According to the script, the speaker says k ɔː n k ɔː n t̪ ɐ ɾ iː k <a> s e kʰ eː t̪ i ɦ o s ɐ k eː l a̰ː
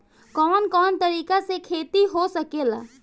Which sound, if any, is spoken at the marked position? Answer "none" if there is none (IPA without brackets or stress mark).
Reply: a